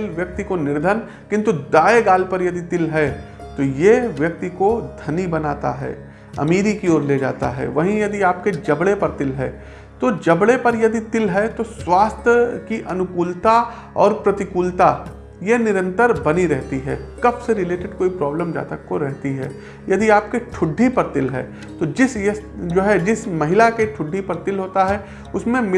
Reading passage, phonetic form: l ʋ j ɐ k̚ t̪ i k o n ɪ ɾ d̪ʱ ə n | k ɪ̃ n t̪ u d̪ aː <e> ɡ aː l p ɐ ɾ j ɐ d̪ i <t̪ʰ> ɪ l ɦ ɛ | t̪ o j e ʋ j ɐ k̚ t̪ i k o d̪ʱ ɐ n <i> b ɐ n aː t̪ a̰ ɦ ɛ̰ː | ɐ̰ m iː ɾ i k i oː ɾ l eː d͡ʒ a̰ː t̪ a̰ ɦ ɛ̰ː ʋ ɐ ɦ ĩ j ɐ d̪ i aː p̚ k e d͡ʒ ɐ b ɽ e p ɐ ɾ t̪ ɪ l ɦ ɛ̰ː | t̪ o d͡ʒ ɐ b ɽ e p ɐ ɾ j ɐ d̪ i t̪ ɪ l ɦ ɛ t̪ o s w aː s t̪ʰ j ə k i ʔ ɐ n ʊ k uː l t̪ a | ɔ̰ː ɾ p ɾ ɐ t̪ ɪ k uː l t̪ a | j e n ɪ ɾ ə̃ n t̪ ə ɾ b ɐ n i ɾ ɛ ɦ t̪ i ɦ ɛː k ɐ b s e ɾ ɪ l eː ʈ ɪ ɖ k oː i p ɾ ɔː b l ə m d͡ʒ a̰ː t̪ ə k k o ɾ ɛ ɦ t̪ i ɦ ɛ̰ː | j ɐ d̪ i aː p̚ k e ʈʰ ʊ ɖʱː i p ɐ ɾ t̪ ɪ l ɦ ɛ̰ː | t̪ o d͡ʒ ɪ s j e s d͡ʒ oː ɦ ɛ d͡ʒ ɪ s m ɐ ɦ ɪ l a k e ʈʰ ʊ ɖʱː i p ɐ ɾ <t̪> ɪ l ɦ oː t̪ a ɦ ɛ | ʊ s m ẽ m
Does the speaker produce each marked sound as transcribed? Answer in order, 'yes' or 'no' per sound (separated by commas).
yes, no, yes, yes